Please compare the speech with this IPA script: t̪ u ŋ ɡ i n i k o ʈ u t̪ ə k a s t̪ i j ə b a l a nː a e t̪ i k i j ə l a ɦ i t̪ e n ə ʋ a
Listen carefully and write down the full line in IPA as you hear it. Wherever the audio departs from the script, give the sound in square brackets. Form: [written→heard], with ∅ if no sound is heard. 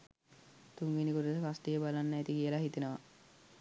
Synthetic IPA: t̪ u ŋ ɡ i n i k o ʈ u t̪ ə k a s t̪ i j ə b a l a nː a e t̪ i k i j ə l a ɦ i t̪ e n ə ʋ a